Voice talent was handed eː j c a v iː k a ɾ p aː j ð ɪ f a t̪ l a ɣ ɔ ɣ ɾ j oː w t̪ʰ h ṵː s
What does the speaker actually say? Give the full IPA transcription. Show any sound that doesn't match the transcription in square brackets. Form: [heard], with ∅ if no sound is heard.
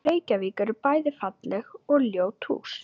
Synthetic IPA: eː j c a v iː k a ɾ p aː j ð ɪ f a t̪ l [ɛ] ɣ ɔ ɣ [l] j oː w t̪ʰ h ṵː s